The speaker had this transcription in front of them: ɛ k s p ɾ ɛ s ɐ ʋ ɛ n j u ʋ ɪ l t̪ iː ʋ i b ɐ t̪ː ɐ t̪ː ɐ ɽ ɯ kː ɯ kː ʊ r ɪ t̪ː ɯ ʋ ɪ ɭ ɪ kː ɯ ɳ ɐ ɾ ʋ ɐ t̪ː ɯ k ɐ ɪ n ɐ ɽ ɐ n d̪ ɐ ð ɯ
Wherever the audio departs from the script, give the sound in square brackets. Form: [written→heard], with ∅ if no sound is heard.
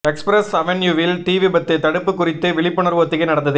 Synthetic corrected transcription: ɛ k s p ɾ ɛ s ɐ ʋ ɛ n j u ʋ ɪ l t̪ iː ʋ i b ɐ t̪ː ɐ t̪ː ɐ ɽ ɯ [kː→pː] ɯ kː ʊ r ɪ t̪ː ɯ ʋ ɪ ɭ ɪ [kː→pː] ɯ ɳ ɐ ɾ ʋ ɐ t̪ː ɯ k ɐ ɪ n ɐ ɽ ɐ n d̪ ɐ ð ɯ